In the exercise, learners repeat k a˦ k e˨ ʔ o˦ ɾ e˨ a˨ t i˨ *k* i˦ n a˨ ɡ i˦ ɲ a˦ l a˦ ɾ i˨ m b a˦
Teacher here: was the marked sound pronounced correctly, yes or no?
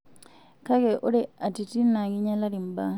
no